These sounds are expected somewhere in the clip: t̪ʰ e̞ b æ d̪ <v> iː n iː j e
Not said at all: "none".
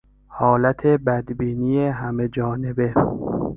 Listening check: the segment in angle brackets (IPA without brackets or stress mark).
b